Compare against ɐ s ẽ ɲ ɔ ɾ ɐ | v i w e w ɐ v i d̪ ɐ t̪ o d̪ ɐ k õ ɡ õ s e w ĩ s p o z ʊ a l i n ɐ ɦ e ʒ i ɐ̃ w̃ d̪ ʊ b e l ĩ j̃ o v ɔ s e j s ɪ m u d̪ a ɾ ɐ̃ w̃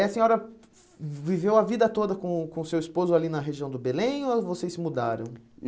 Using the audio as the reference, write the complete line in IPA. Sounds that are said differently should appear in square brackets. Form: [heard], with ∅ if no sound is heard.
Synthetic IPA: ɐ s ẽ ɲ ɔ ɾ ɐ | v i [v] e w ɐ v i d̪ ɐ t̪ o d̪ ɐ k õ [k] õ s e w [i] s p o z ʊ a l i n ɐ ɦ e ʒ i ɐ̃ w̃ d̪ ʊ b e l [ẽ] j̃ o v [o] s e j s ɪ m u d̪ a ɾ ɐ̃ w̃